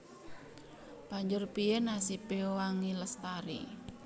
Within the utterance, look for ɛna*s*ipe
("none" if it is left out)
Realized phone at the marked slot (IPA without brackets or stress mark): s